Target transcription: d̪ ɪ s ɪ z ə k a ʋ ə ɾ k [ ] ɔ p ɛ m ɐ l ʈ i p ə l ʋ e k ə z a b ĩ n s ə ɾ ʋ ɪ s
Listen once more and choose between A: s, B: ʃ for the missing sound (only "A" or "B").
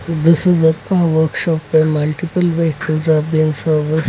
B